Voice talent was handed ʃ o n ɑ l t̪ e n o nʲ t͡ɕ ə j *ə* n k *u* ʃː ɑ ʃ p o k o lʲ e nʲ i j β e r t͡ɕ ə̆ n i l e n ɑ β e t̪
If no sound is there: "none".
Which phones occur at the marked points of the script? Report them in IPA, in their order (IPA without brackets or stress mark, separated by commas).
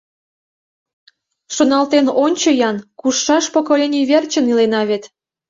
ɑ, u